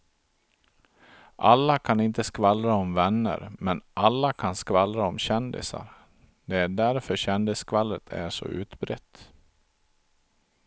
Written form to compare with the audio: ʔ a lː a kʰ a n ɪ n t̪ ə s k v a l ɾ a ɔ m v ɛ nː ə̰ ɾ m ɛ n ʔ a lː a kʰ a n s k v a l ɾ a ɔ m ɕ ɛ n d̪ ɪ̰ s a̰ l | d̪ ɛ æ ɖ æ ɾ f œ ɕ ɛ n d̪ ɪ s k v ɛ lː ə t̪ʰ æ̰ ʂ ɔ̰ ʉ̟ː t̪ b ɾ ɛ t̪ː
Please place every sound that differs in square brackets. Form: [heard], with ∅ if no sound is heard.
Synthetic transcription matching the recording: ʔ a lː a kʰ a n ɪ n t̪ ə s k v a l ɾ a ɔ m v ɛ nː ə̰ ɾ m ɛ n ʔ a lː a kʰ a n s k v a l ɾ a ɔ m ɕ ɛ n d̪ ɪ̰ s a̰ [ɾ] | d̪ ɛ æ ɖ æ ɾ f œ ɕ ɛ n d̪ ɪ s k v [a] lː ə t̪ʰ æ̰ ʂ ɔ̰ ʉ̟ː t̪ b ɾ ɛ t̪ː